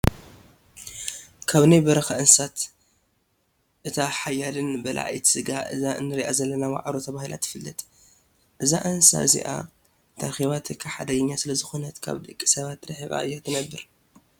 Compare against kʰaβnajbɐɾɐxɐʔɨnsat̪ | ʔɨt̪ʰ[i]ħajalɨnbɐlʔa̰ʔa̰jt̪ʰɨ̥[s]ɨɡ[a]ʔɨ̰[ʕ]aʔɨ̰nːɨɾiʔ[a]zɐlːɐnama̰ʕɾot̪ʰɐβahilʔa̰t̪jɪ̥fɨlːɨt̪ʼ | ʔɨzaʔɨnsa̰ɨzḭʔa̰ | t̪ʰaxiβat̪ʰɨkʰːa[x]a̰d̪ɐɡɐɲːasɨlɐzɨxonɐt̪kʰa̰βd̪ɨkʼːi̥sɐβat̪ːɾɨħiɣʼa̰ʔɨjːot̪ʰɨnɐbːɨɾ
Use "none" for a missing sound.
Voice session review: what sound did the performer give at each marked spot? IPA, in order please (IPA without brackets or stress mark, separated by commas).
a, s, a, z, a, ħ